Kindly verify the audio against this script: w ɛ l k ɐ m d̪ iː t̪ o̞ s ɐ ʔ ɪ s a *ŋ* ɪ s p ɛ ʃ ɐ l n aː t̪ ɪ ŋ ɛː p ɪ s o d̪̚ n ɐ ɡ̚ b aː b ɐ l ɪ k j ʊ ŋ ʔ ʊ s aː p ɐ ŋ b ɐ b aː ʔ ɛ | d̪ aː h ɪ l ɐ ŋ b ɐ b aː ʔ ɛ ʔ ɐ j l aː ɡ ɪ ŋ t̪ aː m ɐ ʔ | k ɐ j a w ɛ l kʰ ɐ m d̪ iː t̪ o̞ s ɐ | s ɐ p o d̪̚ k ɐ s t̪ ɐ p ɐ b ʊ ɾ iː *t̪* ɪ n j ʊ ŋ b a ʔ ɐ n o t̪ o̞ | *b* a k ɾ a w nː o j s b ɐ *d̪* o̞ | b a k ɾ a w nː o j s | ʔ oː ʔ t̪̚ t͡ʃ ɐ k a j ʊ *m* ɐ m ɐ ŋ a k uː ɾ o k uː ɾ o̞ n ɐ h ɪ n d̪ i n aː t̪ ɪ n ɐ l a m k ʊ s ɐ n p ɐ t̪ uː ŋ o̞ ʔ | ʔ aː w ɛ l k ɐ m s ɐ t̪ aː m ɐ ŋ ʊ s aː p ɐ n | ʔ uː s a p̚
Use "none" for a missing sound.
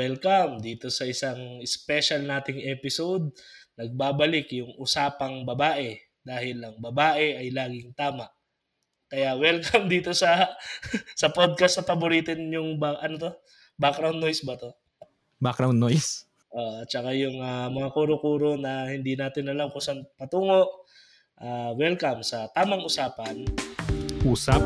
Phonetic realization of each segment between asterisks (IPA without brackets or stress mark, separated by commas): ŋ, t̪, b, t̪, ŋ